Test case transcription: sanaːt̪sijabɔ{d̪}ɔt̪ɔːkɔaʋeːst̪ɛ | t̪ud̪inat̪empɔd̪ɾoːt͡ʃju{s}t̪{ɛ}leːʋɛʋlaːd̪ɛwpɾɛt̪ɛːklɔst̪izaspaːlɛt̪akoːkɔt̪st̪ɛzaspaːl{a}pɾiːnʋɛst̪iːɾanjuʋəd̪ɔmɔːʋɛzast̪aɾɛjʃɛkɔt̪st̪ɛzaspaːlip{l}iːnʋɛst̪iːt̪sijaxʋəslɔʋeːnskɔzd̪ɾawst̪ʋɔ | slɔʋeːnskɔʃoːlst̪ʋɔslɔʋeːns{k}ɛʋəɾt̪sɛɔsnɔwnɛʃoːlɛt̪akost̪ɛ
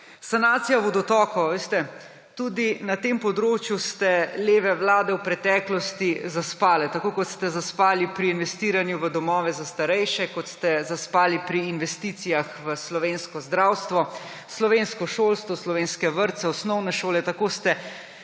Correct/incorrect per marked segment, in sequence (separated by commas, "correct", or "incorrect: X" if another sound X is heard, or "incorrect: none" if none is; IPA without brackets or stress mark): correct, correct, correct, incorrect: i, incorrect: ɾ, correct